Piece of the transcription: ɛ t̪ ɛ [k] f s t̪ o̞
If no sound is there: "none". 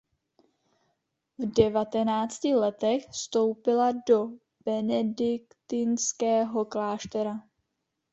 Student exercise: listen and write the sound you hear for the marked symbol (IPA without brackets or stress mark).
x